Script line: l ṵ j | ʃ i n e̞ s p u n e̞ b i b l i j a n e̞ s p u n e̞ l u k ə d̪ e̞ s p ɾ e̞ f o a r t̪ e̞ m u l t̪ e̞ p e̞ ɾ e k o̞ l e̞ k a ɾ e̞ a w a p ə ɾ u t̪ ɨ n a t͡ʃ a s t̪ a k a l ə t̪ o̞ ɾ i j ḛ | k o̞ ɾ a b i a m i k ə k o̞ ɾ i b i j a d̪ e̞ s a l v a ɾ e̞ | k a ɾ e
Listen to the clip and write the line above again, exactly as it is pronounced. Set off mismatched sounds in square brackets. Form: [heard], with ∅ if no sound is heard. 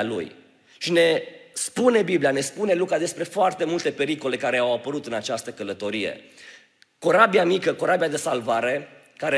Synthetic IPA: l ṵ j | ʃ i n e̞ s p u n e̞ b i b l i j a n e̞ s p u n e̞ l u k [a] d̪ e̞ s p ɾ e̞ f o a r t̪ e̞ m u l t̪ e̞ p e̞ ɾ [i] k o̞ l e̞ k a ɾ e̞ a w a p ə ɾ u t̪ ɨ n a t͡ʃ a s t̪ [ə] k [ə] l ə t̪ o̞ ɾ i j ḛ | k o̞ ɾ a b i a m i k ə k o̞ ɾ [a] b i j a d̪ e̞ s a l v a ɾ e̞ | k a ɾ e